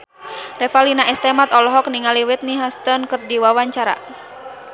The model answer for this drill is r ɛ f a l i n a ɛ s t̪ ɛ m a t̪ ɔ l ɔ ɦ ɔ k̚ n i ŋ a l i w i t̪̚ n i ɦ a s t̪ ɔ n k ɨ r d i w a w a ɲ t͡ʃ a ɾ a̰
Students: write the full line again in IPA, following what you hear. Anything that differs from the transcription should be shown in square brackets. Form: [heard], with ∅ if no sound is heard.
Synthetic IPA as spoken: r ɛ f a l i n a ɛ s t̪ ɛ m a t̪ ɔ l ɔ ɦ ɔ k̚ n i ŋ a l i w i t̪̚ n i ɦ a s t̪ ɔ n k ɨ r d i w a w a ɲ t͡ʃ a ɾ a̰